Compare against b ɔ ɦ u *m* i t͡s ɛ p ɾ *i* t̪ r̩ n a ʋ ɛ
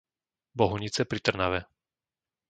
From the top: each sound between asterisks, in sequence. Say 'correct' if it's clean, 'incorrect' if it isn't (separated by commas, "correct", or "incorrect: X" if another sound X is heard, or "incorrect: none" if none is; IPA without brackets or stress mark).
incorrect: ɲ, correct